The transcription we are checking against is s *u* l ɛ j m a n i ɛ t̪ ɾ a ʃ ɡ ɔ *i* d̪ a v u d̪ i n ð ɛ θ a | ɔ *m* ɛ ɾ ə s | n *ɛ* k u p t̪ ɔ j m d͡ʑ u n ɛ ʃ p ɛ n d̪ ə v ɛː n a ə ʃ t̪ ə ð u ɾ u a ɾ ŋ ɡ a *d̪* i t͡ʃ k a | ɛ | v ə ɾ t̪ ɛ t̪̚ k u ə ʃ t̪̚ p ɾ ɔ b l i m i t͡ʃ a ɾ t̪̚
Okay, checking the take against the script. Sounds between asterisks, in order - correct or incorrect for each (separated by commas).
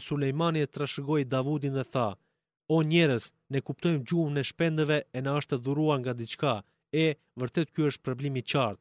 correct, incorrect, incorrect, correct, correct